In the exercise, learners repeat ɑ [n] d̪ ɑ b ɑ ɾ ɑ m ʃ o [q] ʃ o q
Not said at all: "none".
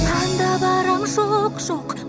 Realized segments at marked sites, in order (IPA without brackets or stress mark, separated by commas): n, q